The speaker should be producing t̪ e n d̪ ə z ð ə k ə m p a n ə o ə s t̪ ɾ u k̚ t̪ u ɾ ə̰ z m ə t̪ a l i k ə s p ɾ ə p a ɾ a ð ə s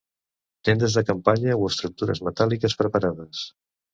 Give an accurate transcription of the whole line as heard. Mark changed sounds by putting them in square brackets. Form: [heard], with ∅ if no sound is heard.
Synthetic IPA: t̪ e n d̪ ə z ð ə k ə m p a [ɲ] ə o ə s t̪ ɾ u k̚ t̪ u ɾ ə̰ z m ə t̪ a l i k ə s p ɾ ə p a ɾ a ð ə s